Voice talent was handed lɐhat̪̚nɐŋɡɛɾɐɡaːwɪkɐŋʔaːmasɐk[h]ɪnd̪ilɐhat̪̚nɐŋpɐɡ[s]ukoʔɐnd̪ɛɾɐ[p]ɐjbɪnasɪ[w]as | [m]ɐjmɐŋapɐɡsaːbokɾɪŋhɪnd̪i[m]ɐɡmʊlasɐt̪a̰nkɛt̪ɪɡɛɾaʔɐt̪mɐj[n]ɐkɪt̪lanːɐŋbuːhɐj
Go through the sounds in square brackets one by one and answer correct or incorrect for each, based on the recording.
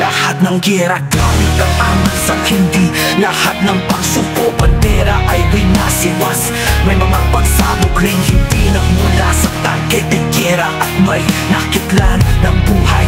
correct, correct, incorrect: ʔ, correct, correct, incorrect: n, correct

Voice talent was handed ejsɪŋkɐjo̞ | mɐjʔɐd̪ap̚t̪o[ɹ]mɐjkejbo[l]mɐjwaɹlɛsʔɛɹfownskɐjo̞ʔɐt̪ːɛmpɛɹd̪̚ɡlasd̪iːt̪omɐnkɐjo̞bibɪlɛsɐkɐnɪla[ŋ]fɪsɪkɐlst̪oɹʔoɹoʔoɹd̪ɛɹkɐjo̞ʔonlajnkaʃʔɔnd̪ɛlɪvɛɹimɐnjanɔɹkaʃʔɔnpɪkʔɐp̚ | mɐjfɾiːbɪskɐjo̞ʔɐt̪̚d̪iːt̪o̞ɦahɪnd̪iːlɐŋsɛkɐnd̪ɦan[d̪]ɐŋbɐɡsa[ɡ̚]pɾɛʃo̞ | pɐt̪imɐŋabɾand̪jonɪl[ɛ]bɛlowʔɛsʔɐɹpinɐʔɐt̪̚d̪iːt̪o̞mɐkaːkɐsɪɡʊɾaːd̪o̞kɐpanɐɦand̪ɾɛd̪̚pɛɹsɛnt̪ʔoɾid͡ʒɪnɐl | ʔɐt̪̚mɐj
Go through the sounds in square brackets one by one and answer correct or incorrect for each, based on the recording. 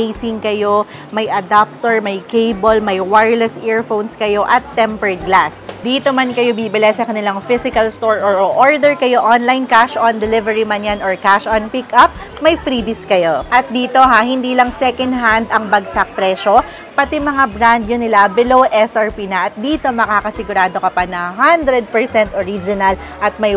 correct, correct, correct, correct, incorrect: k̚, incorrect: a

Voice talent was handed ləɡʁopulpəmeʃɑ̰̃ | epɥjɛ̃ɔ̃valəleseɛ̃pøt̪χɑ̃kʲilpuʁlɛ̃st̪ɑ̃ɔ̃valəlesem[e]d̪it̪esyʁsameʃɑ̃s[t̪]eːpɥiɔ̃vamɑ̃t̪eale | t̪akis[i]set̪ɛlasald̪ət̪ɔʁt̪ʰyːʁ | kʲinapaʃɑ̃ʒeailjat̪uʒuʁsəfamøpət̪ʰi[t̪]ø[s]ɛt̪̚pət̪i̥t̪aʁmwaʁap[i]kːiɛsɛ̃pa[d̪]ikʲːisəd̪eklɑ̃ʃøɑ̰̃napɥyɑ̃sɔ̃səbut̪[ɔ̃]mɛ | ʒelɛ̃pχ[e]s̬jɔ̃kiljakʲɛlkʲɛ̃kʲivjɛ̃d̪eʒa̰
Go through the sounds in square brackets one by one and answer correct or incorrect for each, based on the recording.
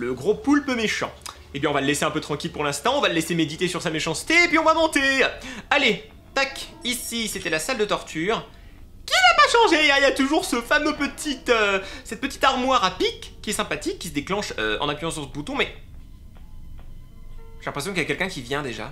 correct, correct, correct, correct, correct, correct, incorrect: t̪, correct, correct

